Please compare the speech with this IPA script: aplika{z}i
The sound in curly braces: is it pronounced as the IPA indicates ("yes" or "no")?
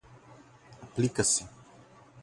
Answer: no